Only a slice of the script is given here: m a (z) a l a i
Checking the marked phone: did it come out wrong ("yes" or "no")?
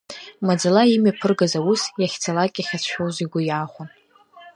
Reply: yes